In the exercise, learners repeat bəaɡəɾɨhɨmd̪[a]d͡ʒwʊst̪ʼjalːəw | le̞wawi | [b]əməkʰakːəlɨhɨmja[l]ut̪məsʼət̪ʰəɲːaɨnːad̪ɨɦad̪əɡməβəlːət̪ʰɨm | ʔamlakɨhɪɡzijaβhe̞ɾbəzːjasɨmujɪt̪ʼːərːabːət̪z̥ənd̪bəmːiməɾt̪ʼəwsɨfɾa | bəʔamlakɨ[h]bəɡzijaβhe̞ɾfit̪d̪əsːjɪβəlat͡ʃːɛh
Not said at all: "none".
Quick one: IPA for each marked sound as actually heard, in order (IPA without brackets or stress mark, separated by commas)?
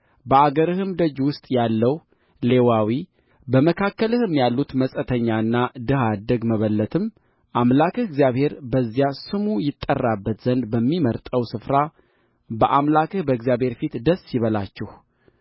ə, b, lː, h